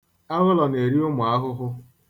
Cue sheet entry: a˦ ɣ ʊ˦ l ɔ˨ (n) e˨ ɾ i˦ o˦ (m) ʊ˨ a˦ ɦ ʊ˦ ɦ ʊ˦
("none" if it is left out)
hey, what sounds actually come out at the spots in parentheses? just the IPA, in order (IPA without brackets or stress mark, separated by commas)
n, m